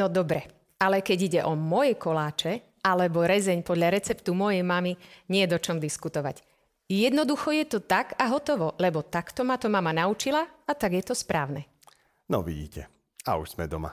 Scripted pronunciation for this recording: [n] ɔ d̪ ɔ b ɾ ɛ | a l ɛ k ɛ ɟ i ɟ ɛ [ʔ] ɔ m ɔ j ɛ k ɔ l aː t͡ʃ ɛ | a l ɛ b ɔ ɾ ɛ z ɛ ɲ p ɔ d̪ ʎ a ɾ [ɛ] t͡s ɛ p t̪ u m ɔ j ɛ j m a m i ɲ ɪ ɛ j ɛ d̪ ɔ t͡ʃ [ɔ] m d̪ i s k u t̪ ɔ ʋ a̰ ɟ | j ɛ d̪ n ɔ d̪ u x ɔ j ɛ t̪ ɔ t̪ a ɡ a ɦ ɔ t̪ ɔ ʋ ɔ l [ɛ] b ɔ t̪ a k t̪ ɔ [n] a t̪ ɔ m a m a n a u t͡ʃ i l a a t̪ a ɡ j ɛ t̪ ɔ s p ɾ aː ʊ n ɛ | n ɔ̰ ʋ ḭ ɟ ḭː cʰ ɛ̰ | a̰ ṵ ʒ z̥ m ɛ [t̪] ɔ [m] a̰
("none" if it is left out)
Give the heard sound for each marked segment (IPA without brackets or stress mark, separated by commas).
n, ʔ, ɛ, ɔ, ɛ, m, d̪, m